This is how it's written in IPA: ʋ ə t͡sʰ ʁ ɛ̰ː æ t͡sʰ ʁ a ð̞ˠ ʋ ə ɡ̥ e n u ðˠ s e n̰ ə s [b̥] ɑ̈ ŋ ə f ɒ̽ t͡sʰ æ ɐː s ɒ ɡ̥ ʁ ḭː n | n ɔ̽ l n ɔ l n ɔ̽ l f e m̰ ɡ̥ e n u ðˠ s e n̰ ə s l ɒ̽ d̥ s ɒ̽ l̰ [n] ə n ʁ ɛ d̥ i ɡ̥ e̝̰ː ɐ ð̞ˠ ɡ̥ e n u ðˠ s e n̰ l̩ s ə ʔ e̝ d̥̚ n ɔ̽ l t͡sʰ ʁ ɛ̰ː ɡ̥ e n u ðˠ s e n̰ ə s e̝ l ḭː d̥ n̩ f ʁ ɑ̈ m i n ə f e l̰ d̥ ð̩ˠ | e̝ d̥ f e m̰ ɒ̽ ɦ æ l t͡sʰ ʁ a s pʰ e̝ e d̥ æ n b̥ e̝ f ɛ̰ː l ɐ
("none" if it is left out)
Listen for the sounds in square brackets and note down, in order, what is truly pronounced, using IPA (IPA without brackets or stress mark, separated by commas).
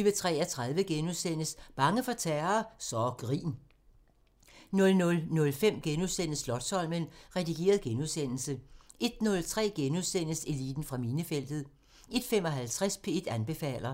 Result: b̥, m